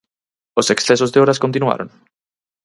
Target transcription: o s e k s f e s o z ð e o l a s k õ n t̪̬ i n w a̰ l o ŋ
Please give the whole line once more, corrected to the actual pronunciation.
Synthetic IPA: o s e k s θ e s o z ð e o ɾ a s k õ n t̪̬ i n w a̰ ɾ o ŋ